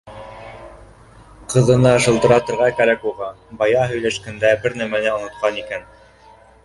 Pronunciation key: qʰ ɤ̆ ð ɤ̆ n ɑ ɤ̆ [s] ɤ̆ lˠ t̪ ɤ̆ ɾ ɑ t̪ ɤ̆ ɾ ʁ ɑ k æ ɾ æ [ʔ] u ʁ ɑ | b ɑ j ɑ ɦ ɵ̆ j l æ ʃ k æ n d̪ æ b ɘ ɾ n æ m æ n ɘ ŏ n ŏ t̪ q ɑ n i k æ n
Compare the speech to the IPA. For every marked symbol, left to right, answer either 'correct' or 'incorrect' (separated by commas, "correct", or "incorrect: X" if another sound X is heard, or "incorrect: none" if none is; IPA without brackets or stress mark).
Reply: incorrect: ʃ, incorrect: k